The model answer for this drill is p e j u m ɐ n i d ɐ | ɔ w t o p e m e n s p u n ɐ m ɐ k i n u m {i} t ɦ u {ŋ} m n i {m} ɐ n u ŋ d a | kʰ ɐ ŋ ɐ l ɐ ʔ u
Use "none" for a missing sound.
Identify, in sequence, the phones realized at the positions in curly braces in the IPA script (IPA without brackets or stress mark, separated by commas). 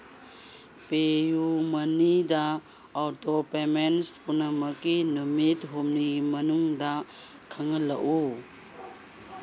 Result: i, none, m